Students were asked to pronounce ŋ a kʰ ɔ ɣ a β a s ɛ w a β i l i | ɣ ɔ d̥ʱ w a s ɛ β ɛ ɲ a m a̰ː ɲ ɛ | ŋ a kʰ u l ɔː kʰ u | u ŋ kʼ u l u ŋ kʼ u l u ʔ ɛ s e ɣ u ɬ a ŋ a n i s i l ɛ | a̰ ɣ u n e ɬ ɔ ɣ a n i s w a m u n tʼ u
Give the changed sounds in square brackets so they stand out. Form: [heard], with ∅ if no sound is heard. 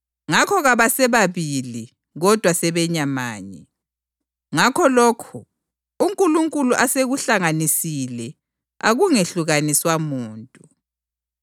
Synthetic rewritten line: ŋ a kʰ ɔ ɣ a β a s ɛ [β] a β i l i | ɣ ɔ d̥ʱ w a s ɛ β ɛ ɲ a m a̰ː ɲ ɛ | ŋ a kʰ [ɔ] l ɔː kʰ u | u ŋ kʼ u l u ŋ kʼ u l u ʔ [a] s e ɣ u ɬ a ŋ a n i s i l ɛ | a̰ ɣ u [ŋ] e ɬ [u] ɣ a n i s w a m [uː] n tʼ u